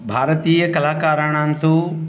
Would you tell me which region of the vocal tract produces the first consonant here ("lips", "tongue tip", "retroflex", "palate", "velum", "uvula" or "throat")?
lips